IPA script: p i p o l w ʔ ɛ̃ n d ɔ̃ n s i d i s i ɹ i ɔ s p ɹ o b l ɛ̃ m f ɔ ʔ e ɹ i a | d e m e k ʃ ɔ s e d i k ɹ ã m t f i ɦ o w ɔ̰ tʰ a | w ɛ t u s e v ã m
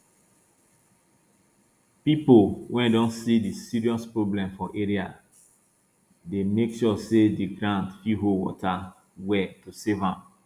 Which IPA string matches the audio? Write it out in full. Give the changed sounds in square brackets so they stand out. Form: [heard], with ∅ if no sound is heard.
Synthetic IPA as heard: p i p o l w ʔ ɛ̃ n d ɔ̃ n s i d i s i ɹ i ɔ s p ɹ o b l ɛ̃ m f ɔ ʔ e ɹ i a | d e m e k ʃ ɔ s e d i [ɡ] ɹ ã [n] t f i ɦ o w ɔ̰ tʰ a | w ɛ t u s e v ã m